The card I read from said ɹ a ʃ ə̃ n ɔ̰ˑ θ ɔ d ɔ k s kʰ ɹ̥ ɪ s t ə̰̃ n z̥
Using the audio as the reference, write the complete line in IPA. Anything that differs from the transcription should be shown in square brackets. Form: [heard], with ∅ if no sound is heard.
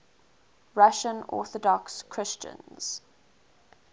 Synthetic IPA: ɹ a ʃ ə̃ n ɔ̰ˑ θ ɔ d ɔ k s kʰ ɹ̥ ɪ s [t͡ʃ] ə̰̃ n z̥